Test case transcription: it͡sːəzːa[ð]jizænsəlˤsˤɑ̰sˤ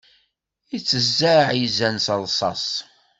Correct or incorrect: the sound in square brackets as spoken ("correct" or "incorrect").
incorrect